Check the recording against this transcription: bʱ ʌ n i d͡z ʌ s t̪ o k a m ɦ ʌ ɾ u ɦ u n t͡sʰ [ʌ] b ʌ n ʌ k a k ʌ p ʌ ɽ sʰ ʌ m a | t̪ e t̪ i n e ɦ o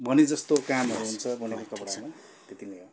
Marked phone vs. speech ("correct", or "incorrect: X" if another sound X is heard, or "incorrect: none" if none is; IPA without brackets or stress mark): correct